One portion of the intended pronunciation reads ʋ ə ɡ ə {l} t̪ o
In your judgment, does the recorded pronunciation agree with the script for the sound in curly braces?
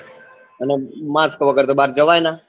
no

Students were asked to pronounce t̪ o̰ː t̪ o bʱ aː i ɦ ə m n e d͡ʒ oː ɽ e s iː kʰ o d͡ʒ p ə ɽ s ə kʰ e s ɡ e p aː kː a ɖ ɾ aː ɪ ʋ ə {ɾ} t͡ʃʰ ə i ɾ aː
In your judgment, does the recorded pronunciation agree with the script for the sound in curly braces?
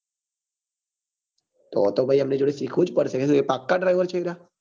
yes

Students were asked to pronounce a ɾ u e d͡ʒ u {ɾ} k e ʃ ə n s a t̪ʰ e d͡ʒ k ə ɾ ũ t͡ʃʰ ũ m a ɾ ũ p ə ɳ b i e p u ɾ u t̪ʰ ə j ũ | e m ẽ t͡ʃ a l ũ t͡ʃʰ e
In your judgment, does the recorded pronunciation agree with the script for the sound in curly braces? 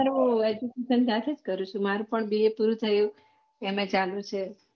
no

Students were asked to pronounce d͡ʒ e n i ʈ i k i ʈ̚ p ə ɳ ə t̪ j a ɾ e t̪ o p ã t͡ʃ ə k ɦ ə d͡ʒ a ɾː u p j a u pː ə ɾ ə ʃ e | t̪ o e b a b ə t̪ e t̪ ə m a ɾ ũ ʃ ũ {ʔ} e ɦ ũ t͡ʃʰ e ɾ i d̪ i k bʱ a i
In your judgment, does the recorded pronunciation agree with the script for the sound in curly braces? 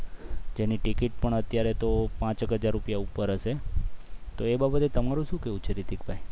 no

